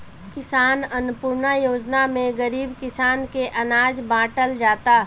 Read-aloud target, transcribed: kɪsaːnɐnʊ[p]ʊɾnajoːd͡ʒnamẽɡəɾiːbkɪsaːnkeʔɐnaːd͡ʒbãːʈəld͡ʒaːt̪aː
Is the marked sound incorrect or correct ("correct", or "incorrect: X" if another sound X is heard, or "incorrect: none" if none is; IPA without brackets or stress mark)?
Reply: correct